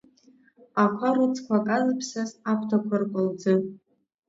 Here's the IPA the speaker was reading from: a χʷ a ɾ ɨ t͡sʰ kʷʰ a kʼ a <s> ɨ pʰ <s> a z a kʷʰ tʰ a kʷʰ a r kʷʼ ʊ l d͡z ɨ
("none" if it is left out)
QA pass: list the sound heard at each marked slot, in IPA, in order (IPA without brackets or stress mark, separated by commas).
z, s